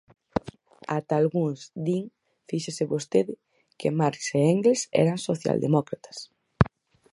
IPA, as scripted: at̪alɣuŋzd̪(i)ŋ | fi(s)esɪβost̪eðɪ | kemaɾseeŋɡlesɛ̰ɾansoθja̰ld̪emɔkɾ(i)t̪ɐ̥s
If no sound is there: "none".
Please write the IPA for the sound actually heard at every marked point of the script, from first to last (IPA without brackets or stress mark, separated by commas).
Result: i, ʃ, a